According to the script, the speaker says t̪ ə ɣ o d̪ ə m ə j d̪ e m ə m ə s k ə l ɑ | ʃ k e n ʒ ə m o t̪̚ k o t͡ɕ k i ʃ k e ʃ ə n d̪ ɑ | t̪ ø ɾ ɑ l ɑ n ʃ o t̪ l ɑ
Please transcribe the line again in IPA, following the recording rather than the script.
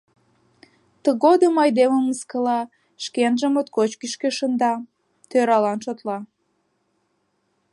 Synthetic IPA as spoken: t̪ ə ɣ o d̪ ə m ɑ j d̪ e m ə m ə s k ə l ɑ | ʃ k e n ʒ ə m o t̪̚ k o t͡ɕ k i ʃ k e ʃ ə n d̪ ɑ | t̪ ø ɾ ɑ l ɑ n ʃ o t̪ l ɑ